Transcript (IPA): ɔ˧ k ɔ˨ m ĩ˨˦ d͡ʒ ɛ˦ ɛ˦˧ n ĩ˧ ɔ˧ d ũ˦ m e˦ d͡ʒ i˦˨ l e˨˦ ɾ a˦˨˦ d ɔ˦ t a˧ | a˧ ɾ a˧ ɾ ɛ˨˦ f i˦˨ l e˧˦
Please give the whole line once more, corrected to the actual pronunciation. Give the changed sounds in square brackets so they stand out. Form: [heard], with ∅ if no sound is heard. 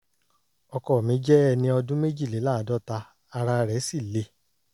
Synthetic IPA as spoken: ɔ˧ k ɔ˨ m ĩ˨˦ d͡ʒ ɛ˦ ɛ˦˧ n ĩ˧ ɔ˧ d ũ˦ m e˦ d͡ʒ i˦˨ l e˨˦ [l] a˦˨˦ d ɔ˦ t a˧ | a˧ ɾ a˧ ɾ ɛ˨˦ [s] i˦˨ l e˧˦